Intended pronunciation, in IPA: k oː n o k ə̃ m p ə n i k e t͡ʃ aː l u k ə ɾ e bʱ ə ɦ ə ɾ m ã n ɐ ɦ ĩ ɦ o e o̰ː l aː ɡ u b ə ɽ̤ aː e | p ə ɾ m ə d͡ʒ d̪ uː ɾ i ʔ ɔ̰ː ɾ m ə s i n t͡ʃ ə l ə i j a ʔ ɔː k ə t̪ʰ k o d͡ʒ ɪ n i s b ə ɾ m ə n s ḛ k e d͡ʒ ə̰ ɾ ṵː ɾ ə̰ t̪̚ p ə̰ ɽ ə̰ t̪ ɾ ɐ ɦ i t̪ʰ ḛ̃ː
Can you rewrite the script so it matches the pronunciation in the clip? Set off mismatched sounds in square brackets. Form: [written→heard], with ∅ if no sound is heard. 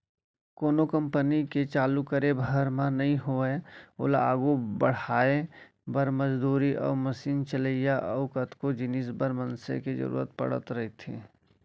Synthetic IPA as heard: k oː n o k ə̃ m p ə n i k e t͡ʃ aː l u k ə ɾ e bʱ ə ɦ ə ɾ m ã n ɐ ɦ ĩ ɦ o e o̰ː l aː ɡ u b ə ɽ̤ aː e | [p→b] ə ɾ m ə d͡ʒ d̪ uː ɾ i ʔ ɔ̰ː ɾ m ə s [i→iː] n t͡ʃ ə l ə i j a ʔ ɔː k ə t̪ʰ k o d͡ʒ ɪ n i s b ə ɾ m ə n s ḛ k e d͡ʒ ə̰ ɾ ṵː ɾ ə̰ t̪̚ p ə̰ ɽ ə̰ t̪ ɾ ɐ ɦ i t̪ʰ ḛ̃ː